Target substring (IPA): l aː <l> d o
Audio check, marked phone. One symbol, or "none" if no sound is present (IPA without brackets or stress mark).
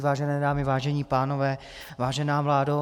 none